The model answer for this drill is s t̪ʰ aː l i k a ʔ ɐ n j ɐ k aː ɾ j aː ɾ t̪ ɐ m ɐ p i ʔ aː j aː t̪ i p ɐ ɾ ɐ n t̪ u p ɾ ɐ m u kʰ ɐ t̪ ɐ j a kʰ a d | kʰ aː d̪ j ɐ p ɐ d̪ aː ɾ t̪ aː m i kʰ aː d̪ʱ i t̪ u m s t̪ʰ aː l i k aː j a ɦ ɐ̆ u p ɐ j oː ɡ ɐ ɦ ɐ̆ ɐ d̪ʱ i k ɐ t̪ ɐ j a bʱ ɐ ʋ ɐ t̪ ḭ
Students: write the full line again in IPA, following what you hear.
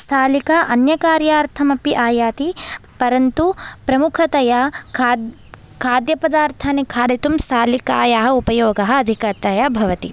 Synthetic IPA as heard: s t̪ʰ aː l i k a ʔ ɐ n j ɐ k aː ɾ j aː ɾ t̪ʰ ɐ m ɐ p i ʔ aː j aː t̪ i p ɐ ɾ ɐ n t̪ u p ɾ ɐ m u kʰ ɐ t̪ ɐ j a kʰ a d | kʰ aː d̪ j ɐ p ɐ d̪ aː ɾ t̪ʰ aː n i kʰ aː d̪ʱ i t̪ u m s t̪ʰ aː l i k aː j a ɦ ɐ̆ u p ɐ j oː ɡ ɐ ɦ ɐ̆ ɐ d̪ʱ i k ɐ t̪ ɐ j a bʱ ɐ ʋ ɐ t̪ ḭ